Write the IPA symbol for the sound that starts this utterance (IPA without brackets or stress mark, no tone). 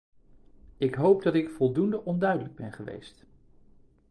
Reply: ɪ